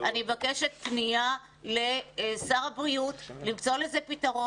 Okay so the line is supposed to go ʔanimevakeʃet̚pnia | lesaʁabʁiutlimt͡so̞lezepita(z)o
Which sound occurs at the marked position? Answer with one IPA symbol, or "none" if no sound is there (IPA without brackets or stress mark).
ʁ